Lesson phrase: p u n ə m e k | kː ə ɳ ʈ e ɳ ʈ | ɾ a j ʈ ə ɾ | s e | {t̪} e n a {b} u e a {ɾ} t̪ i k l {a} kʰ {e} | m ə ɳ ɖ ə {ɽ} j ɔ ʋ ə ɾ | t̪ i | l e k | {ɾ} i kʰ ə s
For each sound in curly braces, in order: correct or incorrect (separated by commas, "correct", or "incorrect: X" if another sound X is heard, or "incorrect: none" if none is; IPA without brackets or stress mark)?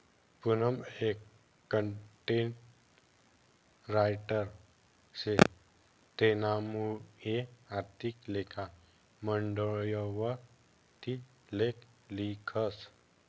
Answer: correct, incorrect: m, correct, incorrect: e, incorrect: a, incorrect: ɭ, incorrect: l